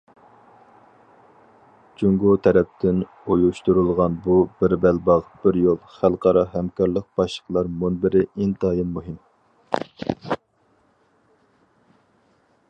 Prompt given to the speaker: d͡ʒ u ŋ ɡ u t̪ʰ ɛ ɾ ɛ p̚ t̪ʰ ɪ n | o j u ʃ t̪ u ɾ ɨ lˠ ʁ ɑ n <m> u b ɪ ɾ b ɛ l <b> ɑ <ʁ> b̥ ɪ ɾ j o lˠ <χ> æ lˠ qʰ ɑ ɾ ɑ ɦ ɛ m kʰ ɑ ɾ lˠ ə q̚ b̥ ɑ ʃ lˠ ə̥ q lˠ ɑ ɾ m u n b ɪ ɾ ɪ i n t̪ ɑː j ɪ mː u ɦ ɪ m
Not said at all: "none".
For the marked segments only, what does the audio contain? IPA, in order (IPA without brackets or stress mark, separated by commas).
b, b, ʁ, χ